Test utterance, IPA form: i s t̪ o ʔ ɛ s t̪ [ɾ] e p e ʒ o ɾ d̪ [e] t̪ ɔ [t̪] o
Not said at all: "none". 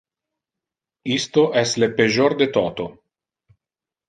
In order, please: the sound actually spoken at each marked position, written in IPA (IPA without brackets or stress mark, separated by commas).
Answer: l, e, t̪